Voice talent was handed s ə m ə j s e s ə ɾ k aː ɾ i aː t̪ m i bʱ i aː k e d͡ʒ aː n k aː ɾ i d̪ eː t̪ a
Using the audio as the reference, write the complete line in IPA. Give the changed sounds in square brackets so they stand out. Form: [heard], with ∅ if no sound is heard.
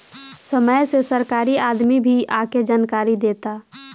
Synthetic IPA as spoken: s ə m ə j s e s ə ɾ k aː ɾ i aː [d̪] m i bʱ i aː k e d͡ʒ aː n k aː ɾ i d̪ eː t̪ a

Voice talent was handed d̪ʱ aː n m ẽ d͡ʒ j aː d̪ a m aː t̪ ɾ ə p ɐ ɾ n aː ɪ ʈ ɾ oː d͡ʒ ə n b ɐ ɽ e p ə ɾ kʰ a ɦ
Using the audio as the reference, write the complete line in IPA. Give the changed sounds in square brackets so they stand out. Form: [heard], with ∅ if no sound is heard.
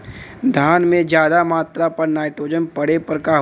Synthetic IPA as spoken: d̪ʱ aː n m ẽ d͡ʒ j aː d̪ a m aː t̪ ɾ [a] p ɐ ɾ n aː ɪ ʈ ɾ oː d͡ʒ ə n [p] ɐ ɽ e p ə ɾ [k] a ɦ

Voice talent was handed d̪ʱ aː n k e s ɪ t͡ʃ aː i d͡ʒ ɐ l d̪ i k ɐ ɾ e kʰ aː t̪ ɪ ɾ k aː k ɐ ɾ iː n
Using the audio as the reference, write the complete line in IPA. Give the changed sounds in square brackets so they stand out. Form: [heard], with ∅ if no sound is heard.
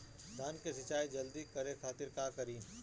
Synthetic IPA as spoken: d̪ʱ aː n k e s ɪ t͡ʃ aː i d͡ʒ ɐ l d̪ i k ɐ ɾ e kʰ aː t̪ ɪ ɾ k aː k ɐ ɾ iː n

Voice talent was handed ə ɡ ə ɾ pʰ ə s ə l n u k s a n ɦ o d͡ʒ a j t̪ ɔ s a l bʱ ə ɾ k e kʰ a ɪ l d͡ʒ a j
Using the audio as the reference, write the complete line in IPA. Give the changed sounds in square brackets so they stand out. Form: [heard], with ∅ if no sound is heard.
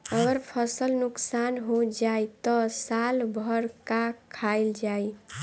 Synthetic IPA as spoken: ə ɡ ə ɾ pʰ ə s ə l n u k s a n ɦ o d͡ʒ a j t̪ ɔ s a l bʱ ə ɾ k [a] kʰ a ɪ l d͡ʒ a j

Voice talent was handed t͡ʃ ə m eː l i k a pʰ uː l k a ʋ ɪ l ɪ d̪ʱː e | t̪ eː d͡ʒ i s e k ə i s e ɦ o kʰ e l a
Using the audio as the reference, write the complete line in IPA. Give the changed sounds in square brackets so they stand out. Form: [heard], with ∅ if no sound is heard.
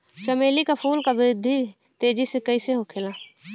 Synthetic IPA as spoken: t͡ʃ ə m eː l i k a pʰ uː l k a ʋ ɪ [ɾ] ɪ d̪ʱː [i] | t̪ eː d͡ʒ i s e k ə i s e ɦ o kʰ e l a

